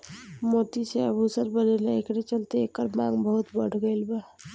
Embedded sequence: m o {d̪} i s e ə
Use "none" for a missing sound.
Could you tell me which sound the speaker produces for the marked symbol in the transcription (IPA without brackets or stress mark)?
t̪